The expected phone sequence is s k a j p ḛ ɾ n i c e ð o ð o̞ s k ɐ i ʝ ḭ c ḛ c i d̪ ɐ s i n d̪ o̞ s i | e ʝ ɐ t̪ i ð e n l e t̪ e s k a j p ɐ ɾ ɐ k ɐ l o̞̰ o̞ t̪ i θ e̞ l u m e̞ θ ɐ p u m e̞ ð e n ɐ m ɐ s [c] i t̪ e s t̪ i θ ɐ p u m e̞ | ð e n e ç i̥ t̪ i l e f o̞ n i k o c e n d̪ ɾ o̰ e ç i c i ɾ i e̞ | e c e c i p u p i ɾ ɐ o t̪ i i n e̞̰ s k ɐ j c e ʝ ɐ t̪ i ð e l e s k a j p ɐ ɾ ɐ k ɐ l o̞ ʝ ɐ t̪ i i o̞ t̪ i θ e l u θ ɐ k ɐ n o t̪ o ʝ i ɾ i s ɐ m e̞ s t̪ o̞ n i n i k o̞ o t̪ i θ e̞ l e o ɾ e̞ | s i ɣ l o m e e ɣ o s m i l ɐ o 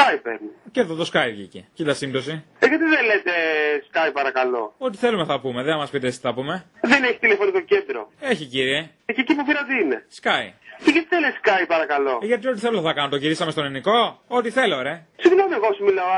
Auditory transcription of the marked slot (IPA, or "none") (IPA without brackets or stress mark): p